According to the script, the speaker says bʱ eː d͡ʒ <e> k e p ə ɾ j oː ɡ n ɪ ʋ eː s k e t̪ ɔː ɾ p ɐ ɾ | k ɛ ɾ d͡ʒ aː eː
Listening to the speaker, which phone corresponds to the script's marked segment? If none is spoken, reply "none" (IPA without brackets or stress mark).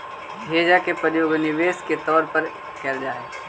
a